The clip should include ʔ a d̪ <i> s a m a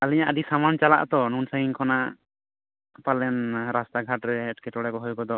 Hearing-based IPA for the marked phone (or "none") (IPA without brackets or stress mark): i